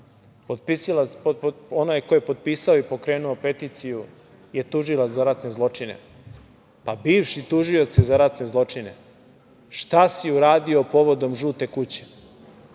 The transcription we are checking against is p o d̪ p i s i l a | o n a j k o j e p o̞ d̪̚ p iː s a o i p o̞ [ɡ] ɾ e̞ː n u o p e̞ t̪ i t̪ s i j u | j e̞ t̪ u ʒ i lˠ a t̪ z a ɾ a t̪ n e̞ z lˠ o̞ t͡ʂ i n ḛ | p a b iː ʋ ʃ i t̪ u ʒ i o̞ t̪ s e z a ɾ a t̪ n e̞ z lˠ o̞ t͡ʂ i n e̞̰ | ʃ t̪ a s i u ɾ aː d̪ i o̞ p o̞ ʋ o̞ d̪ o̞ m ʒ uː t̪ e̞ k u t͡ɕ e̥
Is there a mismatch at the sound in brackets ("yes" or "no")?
yes